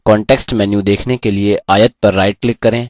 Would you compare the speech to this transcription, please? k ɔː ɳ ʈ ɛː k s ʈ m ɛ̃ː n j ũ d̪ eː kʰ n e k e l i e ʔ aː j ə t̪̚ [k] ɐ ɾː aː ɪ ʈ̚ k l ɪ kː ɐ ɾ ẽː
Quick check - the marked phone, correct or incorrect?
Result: incorrect